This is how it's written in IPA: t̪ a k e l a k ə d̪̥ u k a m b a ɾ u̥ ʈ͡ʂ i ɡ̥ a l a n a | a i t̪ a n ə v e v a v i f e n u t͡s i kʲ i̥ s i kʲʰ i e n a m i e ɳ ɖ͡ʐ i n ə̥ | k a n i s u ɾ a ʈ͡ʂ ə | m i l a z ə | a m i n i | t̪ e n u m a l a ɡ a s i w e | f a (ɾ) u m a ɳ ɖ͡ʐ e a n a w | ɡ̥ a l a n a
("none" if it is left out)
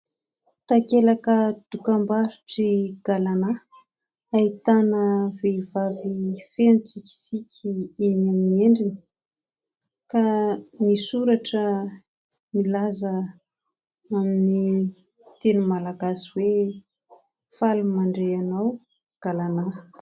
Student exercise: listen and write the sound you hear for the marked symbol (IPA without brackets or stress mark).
l